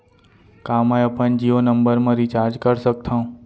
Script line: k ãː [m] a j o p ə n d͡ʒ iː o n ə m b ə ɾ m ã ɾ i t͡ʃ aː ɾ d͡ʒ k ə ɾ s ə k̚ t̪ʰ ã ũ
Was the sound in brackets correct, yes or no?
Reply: yes